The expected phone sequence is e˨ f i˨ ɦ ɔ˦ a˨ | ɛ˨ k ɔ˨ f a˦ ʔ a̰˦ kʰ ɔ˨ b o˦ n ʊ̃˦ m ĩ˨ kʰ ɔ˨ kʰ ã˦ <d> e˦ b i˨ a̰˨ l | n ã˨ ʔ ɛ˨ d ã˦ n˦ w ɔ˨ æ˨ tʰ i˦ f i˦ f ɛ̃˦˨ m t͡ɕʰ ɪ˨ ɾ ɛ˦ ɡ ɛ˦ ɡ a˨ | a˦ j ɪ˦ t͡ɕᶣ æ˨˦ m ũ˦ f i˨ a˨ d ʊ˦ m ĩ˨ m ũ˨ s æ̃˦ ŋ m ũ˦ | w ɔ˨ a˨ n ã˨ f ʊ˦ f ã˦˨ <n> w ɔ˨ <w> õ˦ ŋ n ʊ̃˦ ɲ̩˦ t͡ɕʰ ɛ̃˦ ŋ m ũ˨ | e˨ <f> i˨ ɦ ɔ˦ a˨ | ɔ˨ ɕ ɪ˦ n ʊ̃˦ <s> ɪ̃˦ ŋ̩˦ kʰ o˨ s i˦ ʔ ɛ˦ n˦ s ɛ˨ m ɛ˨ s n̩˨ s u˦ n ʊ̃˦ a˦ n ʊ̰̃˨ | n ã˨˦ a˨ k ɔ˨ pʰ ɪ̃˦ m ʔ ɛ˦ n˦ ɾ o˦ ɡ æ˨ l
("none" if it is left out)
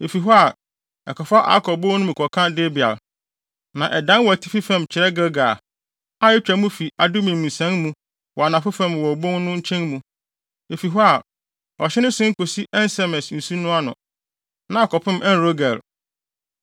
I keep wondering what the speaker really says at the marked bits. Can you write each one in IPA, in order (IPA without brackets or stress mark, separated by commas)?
d, m, b, f, s